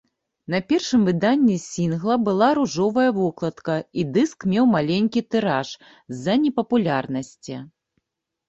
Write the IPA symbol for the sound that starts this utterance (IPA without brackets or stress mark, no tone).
n̪